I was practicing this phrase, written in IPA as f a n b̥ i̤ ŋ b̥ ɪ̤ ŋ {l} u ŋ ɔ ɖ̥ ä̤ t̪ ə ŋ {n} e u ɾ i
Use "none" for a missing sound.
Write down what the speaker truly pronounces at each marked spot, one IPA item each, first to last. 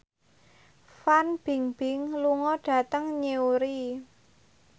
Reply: l, ɲ

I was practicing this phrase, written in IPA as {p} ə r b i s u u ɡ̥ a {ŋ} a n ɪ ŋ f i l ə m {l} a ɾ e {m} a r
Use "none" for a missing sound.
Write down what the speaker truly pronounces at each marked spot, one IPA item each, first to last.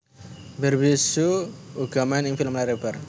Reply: b, m, l, b

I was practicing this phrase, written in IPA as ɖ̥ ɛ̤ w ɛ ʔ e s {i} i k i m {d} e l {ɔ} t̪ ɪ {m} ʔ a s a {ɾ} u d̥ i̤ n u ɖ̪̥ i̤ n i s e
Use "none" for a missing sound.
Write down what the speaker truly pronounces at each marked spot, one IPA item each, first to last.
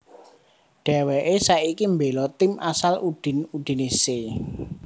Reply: a, b, ɔ, m, l

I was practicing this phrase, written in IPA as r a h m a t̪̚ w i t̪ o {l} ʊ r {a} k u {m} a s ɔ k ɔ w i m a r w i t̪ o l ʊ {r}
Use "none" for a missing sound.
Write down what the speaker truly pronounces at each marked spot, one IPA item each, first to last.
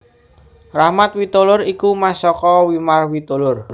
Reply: l, i, m, r

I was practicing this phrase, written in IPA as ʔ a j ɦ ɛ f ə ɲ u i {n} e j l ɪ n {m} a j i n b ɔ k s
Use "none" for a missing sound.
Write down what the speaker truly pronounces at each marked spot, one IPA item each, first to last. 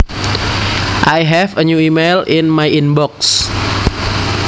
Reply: m, m

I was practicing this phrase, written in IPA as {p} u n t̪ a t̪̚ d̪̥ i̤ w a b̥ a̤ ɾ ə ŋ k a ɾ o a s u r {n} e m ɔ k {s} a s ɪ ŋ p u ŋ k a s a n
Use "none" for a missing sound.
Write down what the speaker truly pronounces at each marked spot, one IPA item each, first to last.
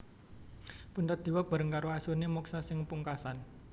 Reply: p, n, s

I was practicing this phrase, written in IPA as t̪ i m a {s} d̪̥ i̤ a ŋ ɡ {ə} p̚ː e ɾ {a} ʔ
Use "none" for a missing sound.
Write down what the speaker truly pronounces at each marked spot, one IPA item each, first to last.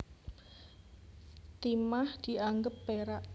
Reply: h, ə, a

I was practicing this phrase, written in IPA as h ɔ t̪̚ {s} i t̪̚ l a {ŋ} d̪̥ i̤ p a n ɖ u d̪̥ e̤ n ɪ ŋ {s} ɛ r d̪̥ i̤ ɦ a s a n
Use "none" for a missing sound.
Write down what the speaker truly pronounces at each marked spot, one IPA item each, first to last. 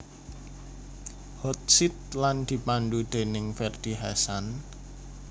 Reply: s, n, f

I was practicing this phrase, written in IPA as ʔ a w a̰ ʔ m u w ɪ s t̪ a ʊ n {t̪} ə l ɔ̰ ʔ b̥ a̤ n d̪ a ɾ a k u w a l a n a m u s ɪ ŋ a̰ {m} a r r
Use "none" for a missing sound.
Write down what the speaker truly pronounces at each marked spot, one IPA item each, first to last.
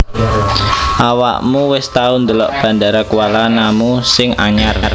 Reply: d̪, ɲ

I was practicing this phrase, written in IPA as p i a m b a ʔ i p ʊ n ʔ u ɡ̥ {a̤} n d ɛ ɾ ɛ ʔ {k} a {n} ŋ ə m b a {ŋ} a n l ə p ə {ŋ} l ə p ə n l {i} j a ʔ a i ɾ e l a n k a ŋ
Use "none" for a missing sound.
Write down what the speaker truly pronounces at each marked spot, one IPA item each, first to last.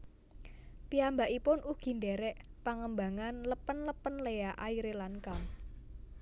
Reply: i̤, p, none, ŋ, n, e

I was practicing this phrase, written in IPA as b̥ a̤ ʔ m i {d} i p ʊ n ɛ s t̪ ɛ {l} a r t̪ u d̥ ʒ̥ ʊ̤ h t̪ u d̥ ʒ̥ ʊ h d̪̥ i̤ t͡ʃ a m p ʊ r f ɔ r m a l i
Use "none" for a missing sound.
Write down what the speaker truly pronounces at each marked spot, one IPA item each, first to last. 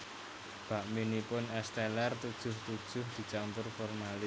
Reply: n, l

